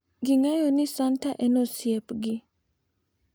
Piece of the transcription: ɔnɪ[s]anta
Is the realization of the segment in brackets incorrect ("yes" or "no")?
no